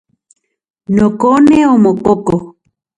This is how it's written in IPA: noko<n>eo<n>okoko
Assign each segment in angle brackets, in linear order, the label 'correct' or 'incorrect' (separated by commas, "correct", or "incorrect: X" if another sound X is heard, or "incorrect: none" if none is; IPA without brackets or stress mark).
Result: correct, incorrect: m